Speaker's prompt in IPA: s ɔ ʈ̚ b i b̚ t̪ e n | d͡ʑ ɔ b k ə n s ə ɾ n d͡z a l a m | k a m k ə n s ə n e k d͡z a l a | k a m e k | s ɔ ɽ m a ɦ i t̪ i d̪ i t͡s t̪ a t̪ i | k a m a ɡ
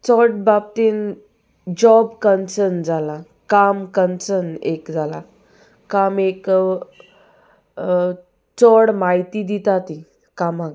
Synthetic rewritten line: t͡s ɔ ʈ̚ b a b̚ t̪ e n | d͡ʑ ɔ b k ə n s ə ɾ n d͡z a l a | k a m k ə n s ə n e k d͡z a l a | k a m e k | t͡s ɔ ɽ m a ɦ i t̪ i d̪ i t̪ a t̪ i | k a m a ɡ